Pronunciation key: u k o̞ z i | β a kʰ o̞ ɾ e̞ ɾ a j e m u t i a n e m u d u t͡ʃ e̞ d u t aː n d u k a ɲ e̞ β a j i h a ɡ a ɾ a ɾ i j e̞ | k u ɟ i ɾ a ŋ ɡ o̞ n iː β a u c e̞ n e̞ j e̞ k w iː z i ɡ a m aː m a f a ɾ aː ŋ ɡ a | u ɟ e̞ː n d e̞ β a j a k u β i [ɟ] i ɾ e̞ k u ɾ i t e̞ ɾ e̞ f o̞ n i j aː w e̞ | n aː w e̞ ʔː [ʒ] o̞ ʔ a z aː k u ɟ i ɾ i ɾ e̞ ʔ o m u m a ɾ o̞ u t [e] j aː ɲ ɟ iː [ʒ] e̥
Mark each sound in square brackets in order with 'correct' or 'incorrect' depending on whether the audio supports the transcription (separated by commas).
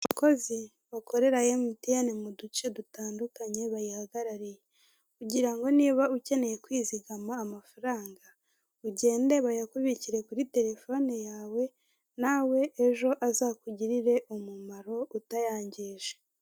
incorrect, correct, incorrect, correct